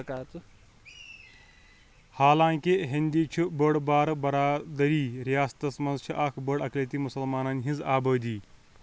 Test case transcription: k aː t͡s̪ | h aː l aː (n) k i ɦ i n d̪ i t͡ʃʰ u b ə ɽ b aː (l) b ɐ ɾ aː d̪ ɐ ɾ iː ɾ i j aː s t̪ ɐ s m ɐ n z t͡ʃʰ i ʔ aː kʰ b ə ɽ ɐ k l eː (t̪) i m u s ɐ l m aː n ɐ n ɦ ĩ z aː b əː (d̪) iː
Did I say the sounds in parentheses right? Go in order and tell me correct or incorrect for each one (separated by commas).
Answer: incorrect, incorrect, correct, correct